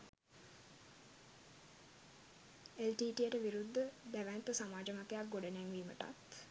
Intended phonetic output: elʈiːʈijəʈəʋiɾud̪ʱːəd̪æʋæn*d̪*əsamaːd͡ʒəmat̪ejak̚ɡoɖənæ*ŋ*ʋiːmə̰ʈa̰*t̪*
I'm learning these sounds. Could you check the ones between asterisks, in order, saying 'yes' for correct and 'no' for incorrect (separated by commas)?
no, yes, yes